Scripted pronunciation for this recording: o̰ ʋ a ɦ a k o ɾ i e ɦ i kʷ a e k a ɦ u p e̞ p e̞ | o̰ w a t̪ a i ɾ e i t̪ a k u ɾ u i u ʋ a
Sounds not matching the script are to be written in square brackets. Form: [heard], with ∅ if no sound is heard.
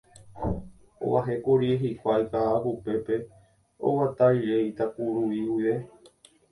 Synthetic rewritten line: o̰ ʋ a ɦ [e] k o ɾ i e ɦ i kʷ a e k a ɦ u p e̞ p e̞ | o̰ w a t̪ a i ɾ e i t̪ a k u ɾ u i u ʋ [e]